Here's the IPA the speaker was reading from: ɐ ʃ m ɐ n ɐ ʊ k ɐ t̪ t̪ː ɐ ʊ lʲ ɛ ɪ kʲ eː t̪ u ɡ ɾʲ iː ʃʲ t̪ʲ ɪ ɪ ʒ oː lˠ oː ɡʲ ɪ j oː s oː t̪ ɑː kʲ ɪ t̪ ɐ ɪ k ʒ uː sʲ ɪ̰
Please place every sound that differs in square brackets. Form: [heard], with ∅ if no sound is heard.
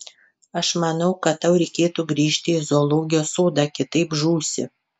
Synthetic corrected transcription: ɐ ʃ m ɐ n ɐ ʊ k ɐ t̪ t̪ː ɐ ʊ [ɾʲ] ɛ ɪ kʲ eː t̪ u ɡ ɾʲ iː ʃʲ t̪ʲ ɪ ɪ [z] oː lˠ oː ɡʲ ɪ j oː s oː [d̪] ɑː kʲ ɪ t̪ ɐ ɪ [p] ʒ uː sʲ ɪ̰